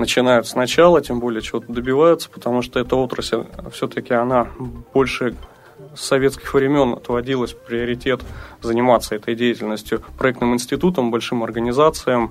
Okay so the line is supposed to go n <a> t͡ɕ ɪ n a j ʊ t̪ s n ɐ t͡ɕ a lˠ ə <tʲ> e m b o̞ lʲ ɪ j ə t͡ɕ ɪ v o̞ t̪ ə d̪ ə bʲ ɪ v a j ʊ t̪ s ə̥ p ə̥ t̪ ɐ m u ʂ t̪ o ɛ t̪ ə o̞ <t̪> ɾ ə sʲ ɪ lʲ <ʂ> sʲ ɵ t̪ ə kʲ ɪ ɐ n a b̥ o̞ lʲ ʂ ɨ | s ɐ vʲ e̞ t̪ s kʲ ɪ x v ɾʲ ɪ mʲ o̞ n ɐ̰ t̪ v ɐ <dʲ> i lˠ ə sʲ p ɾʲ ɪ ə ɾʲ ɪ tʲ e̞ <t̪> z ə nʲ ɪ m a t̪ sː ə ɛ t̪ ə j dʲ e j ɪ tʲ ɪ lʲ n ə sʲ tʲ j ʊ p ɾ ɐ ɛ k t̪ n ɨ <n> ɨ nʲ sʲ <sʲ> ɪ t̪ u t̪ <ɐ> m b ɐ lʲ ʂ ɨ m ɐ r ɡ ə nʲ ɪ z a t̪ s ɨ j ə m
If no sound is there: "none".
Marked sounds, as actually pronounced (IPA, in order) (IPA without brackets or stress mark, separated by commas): ə, tʲ, t̪, f, dʲ, t̪, m, tʲ, ə